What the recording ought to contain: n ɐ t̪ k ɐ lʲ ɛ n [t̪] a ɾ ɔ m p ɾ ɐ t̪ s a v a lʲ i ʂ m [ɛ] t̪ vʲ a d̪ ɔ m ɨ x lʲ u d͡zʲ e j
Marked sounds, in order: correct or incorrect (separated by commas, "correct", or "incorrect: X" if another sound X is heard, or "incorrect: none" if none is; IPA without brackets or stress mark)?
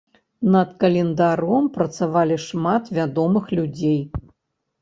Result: incorrect: d̪, incorrect: a